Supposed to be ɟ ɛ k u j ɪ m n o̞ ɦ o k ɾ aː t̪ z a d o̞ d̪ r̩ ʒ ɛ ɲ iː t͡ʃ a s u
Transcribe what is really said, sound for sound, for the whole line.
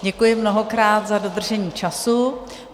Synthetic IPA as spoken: ɟ ɛ k u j ɪ m n o̞ ɦ o k ɾ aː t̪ z a d o̞ d̪ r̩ ʒ ɛ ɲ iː t͡ʃ a s u